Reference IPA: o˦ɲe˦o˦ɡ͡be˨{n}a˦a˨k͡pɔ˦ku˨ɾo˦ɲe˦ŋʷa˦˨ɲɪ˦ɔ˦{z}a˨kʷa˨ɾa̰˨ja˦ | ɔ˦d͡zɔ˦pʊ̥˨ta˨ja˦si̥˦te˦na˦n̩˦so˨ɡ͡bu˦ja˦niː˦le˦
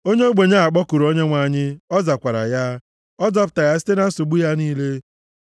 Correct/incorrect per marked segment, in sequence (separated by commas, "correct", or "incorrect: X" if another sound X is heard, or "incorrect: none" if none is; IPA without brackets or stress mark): incorrect: ɲ, correct